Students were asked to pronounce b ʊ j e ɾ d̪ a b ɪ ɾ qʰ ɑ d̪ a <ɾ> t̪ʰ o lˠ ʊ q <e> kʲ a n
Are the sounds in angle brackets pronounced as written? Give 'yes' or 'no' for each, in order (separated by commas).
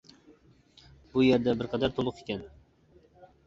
yes, yes